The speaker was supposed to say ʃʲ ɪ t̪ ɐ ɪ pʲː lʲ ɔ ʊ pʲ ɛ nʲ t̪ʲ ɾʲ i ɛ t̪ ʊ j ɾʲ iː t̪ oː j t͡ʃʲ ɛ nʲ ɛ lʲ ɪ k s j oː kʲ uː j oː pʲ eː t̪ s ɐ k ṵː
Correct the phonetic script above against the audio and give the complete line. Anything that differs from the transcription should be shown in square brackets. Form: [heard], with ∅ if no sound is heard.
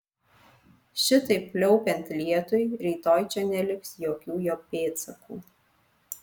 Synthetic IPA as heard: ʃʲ ɪ t̪ ɐ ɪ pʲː lʲ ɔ ʊ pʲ ɛ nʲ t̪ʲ [lʲ] i ɛ t̪ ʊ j ɾʲ iː t̪ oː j t͡ʃʲ ɛ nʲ ɛ lʲ ɪ k s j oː kʲ uː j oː pʲ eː t̪ s ɐ k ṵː

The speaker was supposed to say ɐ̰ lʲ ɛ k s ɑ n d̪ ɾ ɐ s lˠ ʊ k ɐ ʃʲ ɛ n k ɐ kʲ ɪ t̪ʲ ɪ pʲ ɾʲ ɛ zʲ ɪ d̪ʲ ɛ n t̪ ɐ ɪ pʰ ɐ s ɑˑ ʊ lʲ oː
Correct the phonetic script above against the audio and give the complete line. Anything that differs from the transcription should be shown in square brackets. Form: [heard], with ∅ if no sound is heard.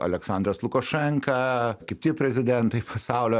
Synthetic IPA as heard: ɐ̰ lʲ ɛ k s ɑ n d̪ ɾ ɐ s lˠ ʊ k ɐ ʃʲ ɛ [ŋ] k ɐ kʲ ɪ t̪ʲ ɪ pʲ ɾʲ ɛ zʲ ɪ d̪ʲ ɛ n t̪ ɐ ɪ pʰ ɐ s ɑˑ ʊ lʲ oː

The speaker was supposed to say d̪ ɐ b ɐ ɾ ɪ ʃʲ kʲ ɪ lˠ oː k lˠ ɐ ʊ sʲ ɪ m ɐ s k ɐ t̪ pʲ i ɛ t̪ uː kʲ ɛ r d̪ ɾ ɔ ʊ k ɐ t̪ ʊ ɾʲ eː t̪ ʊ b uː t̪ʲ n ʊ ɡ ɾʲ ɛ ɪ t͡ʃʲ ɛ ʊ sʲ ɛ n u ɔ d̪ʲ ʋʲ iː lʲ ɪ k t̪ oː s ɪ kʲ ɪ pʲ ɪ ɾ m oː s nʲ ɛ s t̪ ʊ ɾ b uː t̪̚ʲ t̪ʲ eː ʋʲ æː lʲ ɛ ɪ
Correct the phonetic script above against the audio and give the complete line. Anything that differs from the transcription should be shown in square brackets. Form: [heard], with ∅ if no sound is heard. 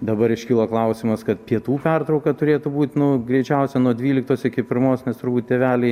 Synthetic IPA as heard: d̪ ɐ b ɐ ɾ ɪ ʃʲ kʲ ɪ lˠ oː k lˠ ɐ ʊ sʲ ɪ m ɐ s k ɐ t̪ pʲ i ɛ t̪ uː [pʲ] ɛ r [t̪] ɾ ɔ ʊ k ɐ t̪ ʊ ɾʲ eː t̪ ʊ b uː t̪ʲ n ʊ ɡ ɾʲ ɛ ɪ t͡ʃʲ ɛ ʊ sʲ ɛ n u ɔ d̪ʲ ʋʲ iː lʲ ɪ k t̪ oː s ɪ kʲ ɪ pʲ ɪ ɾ m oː s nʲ ɛ s t̪ ʊ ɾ b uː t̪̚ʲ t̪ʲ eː ʋʲ æː lʲ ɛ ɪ

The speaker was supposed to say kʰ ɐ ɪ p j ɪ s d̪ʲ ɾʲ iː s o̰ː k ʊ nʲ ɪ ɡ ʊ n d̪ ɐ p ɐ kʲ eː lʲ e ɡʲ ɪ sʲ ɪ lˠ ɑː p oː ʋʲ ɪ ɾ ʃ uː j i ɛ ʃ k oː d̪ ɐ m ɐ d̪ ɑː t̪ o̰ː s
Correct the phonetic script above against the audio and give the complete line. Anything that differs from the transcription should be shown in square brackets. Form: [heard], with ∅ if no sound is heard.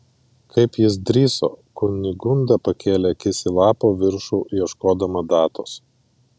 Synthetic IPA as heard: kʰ ɐ ɪ p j ɪ s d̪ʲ ɾʲ iː s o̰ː k ʊ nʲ ɪ ɡ ʊ n d̪ ɐ p ɐ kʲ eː lʲ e [kʲ] ɪ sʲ ɪ lˠ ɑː p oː ʋʲ ɪ ɾ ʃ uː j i ɛ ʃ k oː d̪ ɐ m ɐ d̪ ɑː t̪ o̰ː s

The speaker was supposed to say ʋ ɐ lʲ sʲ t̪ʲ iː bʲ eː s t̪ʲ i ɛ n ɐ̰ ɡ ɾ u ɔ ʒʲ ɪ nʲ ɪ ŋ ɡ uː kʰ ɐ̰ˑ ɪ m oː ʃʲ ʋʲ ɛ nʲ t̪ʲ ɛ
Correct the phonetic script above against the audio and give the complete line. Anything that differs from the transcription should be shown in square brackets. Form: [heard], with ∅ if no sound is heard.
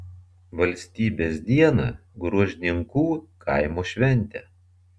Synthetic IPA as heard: ʋ ɐ lʲ sʲ t̪ʲ iː bʲ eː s [d̪ʲ] i ɛ n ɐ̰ ɡ ɾ u ɔ ʒʲ ɪ nʲ ɪ ŋ [k] uː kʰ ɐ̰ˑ ɪ m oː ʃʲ ʋʲ ɛ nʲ t̪ʲ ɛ

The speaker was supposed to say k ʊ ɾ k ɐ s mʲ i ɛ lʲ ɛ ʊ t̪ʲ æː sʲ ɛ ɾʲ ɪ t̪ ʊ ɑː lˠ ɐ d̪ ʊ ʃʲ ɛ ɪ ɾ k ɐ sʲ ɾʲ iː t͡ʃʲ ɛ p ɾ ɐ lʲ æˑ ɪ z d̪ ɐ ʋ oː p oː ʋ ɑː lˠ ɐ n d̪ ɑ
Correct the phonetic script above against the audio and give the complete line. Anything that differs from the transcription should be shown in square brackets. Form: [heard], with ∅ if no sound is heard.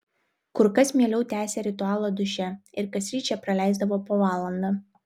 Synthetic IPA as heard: k ʊ ɾ k ɐ s mʲ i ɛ lʲ ɛ ʊ t̪ʲ æː sʲ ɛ ɾʲ ɪ t̪ ʊ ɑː lˠ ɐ d̪ ʊ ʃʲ ɛ ɪ ɾ k ɐ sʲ ɾʲ iː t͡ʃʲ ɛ p ɾ ɐ lʲ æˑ ɪ z d̪ ɐ ʋ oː p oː ʋ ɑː lˠ ɐ n d̪ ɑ

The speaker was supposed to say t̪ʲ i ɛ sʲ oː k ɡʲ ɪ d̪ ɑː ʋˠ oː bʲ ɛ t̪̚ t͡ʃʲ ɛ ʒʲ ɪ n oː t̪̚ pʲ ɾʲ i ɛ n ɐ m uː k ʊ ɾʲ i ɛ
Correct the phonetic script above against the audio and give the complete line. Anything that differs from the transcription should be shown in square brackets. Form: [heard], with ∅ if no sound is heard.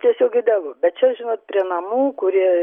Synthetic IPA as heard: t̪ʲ i ɛ sʲ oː k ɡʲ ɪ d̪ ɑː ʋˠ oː bʲ ɛ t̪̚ t͡ʃʲ ɛ ʒʲ ɪ n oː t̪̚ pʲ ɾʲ i ɛ n ɐ m uː k ʊ ɾʲ i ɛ

